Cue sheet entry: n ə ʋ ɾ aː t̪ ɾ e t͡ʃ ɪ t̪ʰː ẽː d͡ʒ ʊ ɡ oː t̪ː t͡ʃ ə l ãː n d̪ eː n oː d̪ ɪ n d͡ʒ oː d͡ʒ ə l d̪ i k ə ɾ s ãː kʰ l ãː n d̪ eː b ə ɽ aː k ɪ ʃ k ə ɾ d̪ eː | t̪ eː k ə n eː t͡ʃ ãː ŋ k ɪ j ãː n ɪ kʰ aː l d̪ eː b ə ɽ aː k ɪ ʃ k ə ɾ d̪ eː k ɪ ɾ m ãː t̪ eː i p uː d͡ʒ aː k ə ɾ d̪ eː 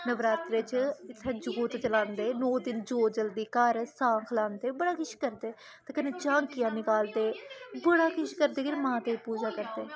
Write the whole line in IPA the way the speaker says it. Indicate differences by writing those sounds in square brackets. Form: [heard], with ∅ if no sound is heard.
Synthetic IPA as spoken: n ə ʋ ɾ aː t̪ ɾ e t͡ʃ ɪ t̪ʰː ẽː d͡ʒ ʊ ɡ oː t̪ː t͡ʃ ə l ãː n d̪ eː n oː d̪ ɪ n d͡ʒ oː d͡ʒ ə l d̪ [iː] k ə ɾ s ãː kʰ l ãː n d̪ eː b ə ɽ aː k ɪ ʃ k ə ɾ d̪ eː | t̪ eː k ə n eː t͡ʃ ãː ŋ k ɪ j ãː n ɪ [k] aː l d̪ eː b ə ɽ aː k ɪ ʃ k ə ɾ d̪ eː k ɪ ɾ m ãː t̪ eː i p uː d͡ʒ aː k ə ɾ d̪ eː